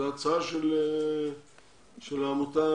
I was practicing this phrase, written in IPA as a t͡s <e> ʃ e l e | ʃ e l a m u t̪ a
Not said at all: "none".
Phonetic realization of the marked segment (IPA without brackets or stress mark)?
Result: a